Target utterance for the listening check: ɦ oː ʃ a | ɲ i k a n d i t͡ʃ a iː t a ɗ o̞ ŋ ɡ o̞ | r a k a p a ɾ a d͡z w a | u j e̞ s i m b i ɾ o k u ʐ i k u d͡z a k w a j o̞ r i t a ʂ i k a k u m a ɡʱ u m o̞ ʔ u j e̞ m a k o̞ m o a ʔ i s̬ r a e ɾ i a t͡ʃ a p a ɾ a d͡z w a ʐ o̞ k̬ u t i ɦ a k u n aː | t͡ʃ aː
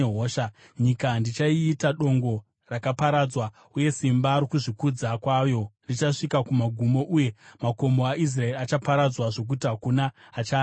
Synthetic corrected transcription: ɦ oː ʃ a | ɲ i k a n d i t͡ʃ a iː t a ɗ o̞ ŋ ɡ o̞ | r a k a p a ɾ a d͡z w a | u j e̞ s i m b a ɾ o k u ʐ i k u d͡z a k w a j o̞ r i t͡ʃ a ʂ i k a k u m a ɡʱ u m o̞ ʔ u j e̞ m a k o̞ m o a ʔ i s̬ r a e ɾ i a t͡ʃ a p a ɾ a d͡z w a ʐ o̞ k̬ u t i ɦ a k u n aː | t͡ʃ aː